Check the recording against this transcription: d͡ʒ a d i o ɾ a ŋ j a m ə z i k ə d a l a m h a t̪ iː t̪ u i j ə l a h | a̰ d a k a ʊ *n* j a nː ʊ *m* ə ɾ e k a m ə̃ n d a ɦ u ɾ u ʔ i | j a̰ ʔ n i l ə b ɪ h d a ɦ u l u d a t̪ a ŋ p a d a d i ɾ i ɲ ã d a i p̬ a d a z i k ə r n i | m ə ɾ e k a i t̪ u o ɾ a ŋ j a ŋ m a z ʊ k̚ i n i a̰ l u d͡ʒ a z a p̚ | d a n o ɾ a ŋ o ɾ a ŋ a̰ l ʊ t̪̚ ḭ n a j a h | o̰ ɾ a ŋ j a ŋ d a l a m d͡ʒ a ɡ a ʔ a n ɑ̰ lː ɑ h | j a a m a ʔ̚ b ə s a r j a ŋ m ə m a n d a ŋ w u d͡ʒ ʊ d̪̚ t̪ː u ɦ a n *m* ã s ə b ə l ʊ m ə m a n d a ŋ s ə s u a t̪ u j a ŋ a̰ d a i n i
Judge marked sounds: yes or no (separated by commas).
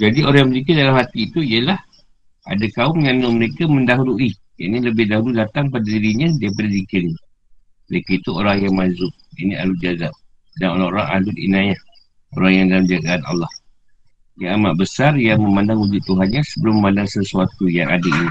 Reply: no, yes, no